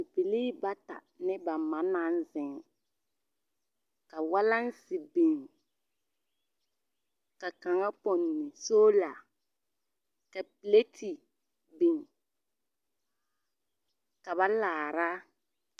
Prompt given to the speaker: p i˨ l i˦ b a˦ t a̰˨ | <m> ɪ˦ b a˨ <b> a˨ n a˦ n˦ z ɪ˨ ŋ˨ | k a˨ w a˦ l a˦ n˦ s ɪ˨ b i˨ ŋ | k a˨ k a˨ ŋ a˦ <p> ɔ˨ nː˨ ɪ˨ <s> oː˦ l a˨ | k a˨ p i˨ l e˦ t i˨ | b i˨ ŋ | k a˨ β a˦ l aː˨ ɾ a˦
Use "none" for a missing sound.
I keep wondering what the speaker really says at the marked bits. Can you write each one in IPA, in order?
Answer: n, m, p, s

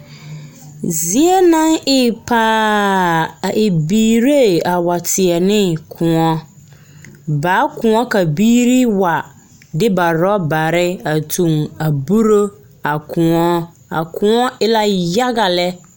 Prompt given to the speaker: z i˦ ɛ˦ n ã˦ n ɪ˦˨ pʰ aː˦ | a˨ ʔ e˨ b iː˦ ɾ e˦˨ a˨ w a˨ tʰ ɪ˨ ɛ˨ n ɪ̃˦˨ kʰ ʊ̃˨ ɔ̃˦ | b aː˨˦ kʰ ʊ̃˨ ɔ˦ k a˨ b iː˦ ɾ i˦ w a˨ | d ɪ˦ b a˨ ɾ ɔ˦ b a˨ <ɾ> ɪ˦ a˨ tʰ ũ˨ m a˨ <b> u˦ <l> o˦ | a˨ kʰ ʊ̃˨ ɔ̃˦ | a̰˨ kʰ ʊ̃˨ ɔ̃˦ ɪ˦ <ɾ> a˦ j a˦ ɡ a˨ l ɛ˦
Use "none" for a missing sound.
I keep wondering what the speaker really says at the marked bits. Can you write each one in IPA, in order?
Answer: ɾ, b, ɾ, l

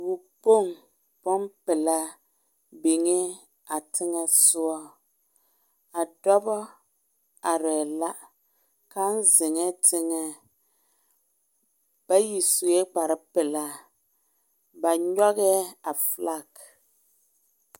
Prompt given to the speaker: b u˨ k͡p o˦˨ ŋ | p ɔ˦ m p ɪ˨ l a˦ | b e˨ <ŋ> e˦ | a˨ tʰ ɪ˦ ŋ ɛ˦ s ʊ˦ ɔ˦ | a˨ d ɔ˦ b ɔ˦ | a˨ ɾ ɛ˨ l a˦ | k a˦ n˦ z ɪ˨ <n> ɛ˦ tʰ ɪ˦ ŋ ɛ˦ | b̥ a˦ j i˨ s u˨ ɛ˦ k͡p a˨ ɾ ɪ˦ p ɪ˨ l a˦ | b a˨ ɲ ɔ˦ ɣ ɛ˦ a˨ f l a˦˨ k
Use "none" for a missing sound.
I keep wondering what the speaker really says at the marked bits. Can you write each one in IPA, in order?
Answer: ŋ, ŋ

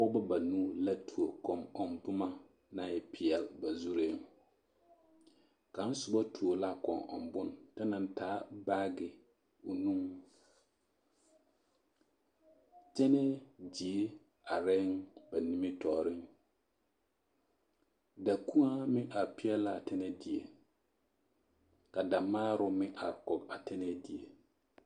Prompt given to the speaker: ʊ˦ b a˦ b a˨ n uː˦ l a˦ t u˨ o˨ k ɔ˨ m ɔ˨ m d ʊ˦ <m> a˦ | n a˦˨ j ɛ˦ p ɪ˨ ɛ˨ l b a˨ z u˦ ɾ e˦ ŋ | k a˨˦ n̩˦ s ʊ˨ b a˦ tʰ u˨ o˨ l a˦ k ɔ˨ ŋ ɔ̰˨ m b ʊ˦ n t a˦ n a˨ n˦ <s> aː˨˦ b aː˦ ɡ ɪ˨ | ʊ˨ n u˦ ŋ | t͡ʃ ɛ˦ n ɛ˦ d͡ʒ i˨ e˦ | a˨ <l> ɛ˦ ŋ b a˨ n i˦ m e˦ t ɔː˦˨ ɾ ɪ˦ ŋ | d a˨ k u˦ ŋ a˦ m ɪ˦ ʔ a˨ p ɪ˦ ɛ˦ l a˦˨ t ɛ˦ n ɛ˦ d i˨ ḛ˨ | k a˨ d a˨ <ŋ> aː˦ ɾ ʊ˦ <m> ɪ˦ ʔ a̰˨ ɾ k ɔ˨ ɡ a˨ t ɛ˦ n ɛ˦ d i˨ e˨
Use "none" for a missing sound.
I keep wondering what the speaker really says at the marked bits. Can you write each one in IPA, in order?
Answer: m, t, ɾ, m, m

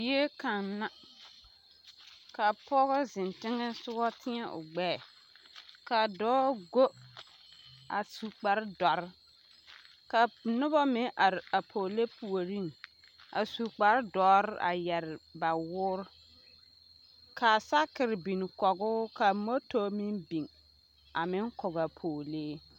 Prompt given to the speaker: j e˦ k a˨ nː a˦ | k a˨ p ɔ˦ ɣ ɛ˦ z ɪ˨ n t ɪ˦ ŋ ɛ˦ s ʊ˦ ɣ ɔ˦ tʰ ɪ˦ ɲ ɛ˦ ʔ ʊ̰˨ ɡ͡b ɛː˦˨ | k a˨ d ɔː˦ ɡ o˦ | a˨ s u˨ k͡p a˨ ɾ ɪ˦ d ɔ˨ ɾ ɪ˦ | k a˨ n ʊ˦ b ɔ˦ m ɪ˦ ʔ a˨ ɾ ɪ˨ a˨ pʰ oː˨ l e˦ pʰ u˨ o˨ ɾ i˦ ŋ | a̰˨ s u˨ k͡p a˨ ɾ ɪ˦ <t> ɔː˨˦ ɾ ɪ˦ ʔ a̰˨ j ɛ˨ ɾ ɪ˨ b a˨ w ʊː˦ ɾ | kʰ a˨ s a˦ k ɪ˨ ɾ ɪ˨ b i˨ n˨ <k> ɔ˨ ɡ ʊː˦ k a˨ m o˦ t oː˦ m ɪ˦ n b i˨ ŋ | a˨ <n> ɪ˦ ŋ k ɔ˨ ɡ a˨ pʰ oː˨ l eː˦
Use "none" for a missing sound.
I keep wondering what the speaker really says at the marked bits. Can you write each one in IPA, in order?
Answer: d, k, m

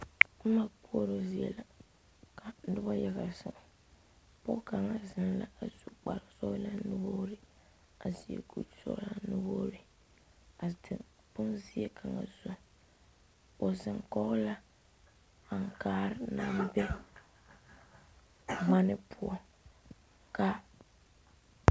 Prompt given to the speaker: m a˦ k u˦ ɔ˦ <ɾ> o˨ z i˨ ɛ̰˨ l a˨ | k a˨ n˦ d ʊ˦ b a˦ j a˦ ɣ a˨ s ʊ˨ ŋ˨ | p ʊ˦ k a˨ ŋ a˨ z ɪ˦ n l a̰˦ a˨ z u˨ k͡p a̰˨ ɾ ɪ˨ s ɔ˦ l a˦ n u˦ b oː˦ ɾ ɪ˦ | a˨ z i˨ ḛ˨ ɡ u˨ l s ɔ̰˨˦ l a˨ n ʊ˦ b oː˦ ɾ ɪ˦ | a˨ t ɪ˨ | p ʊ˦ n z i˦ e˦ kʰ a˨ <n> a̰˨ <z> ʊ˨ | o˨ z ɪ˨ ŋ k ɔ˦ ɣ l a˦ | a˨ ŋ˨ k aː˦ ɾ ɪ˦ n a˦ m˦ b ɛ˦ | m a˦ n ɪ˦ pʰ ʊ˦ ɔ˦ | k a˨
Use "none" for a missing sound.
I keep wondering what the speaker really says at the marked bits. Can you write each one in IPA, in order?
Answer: ɾ, ŋ, z

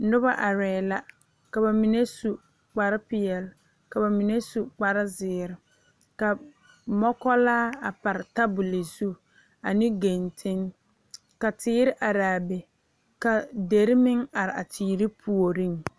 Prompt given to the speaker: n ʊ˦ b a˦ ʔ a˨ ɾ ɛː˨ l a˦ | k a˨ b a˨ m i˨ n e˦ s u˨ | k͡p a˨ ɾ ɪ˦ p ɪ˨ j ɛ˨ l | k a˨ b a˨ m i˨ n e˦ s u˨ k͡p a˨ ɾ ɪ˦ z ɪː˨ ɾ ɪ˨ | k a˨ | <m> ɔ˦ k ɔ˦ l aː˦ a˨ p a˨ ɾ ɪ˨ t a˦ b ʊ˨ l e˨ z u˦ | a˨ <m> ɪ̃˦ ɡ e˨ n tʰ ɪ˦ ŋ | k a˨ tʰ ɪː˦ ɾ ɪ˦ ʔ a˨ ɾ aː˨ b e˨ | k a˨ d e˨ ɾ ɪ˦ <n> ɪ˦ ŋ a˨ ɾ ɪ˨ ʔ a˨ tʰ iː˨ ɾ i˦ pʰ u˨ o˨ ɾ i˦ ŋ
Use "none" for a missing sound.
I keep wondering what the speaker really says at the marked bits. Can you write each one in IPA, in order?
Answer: m, n, m

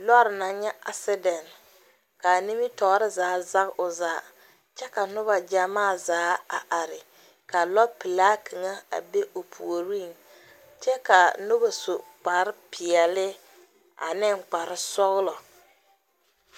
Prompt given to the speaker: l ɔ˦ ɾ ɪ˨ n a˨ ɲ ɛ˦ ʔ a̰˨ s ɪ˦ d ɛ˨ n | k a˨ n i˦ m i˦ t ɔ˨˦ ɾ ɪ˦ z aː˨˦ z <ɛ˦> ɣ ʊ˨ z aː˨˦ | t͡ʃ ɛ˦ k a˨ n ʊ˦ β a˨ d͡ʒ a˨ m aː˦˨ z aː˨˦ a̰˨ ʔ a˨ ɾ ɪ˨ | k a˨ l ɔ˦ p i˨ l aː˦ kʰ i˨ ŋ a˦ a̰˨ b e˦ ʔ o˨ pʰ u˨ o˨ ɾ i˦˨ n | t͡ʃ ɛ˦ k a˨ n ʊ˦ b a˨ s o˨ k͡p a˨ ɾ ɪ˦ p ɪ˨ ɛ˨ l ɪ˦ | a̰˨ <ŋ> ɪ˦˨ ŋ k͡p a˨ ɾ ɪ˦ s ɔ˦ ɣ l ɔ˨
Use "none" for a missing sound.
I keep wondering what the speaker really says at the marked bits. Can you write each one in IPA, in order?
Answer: a˦, n

